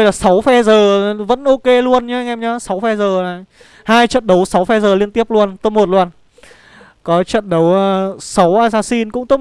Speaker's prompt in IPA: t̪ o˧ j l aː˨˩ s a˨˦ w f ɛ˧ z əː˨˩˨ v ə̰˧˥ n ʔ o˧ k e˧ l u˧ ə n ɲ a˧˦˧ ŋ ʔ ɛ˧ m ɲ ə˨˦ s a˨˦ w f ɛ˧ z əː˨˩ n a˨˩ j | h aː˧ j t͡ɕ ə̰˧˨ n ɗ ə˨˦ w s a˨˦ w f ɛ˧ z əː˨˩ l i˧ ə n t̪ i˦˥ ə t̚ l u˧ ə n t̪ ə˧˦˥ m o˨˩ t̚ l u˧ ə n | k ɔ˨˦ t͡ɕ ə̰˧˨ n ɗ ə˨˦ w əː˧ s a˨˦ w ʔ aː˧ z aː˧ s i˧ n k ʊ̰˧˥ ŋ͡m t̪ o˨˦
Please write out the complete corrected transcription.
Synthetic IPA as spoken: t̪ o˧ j l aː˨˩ s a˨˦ w f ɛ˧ z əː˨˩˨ v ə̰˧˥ n ʔ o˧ k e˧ l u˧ ə n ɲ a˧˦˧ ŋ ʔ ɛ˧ m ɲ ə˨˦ s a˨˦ w f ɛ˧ z əː˨˩ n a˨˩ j | h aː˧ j t͡ɕ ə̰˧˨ n ɗ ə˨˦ w s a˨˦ w f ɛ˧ z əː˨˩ l i˧ ə n t̪ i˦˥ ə p̚ l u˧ ə n t̪ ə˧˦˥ m o˨˩ t̚ l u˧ ə n | k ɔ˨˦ t͡ɕ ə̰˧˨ n ɗ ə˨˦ w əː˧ s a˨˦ w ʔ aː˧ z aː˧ s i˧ n k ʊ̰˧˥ ŋ͡m t̪ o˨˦

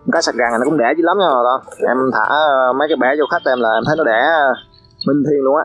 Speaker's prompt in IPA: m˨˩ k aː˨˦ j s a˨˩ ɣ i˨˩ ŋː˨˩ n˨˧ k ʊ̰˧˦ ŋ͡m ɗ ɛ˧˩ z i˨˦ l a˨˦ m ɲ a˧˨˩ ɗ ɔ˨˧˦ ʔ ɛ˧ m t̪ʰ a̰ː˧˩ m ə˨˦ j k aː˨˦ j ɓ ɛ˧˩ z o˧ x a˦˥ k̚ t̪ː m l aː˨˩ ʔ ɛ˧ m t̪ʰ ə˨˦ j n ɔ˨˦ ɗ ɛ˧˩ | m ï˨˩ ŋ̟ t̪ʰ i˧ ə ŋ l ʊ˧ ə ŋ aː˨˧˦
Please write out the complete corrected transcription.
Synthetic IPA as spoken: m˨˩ k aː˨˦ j s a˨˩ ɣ a˨˩ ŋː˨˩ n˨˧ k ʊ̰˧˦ ŋ͡m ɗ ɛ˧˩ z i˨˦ l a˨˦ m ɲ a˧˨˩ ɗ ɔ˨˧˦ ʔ ɛ˧ m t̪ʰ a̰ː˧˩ m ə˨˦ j k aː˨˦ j ɓ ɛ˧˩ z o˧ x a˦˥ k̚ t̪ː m l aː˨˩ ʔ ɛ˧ m t̪ʰ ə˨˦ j n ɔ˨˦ ɗ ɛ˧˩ | m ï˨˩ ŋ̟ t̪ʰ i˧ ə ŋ l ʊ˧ ə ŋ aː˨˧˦

